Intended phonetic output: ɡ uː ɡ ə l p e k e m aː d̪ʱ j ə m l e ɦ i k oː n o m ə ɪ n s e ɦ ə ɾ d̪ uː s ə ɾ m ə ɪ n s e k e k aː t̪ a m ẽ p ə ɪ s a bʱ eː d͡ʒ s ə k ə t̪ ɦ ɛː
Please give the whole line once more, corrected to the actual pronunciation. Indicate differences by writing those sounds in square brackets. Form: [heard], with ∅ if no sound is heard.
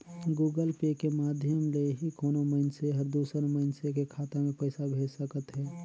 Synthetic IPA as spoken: ɡ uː ɡ ə l p e k e m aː d̪ʱ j ə m l e ɦ i k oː n o m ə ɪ n s e ɦ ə ɾ d̪ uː s ə ɾ m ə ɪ n s e k e [kʰ] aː t̪ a m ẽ p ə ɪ s a bʱ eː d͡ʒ s ə k ə t̪ ɦ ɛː